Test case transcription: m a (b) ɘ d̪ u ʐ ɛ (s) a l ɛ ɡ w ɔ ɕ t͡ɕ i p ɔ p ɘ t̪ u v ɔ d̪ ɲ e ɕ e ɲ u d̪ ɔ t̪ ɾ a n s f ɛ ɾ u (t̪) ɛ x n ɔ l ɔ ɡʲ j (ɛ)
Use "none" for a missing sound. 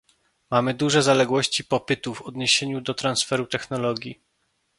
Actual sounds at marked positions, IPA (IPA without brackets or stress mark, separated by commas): m, z, t̪, i